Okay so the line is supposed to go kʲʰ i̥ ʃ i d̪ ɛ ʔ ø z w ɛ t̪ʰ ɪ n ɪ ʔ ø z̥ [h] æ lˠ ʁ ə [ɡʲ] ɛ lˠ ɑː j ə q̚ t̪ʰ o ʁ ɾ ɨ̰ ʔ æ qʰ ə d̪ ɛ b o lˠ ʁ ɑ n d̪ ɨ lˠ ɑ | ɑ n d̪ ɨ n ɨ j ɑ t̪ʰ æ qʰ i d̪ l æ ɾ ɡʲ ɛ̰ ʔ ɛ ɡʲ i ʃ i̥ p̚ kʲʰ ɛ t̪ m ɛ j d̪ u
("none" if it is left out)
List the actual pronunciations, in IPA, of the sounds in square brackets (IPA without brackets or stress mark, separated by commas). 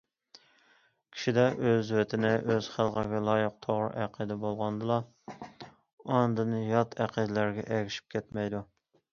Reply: χ, ɡʲ